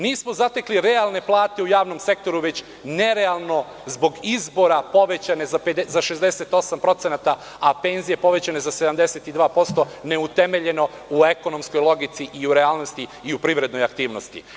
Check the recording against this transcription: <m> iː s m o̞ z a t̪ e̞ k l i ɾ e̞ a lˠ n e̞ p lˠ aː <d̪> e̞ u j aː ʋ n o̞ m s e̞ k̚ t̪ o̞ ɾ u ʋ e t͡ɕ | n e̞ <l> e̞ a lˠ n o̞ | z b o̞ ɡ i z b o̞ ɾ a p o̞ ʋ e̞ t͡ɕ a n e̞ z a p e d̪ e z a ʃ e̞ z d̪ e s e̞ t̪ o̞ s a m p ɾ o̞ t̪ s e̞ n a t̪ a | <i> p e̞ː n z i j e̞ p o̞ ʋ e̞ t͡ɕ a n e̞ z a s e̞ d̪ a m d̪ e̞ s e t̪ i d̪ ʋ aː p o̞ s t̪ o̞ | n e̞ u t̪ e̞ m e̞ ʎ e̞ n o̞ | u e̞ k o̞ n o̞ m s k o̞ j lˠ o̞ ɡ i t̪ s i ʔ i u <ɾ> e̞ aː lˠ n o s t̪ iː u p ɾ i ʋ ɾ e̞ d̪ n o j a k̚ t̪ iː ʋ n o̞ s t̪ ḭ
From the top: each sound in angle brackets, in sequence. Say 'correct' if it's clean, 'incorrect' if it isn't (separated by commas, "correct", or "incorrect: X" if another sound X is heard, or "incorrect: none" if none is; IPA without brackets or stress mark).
incorrect: n, incorrect: t̪, incorrect: ɾ, incorrect: a, correct